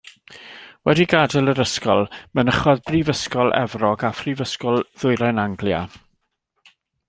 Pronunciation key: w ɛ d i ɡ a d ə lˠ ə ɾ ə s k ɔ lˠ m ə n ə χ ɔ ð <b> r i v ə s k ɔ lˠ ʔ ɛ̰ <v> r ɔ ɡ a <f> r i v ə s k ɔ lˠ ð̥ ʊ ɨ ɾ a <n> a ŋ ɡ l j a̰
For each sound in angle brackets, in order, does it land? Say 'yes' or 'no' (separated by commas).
yes, yes, yes, yes